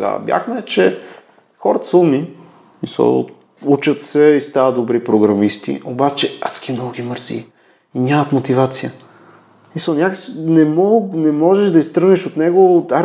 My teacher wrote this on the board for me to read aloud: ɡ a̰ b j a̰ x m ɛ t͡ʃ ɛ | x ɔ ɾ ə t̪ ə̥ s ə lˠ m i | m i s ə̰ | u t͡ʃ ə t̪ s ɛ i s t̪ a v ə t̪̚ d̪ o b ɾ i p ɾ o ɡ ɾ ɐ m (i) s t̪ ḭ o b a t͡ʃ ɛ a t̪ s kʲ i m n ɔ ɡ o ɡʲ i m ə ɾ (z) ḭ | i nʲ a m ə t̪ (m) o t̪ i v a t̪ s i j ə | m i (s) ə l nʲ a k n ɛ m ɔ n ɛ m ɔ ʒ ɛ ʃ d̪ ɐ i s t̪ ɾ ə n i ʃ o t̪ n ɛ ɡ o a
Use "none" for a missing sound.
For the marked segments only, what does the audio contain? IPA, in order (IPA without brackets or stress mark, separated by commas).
i, z, m, s